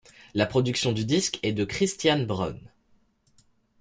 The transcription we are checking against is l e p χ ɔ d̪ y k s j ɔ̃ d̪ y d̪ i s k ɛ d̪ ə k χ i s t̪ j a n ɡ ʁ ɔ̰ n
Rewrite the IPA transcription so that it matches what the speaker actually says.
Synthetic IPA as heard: l a p χ ɔ d̪ y k s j ɔ̃ d̪ y d̪ i s k ɛ d̪ ə k χ i s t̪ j a n b ʁ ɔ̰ n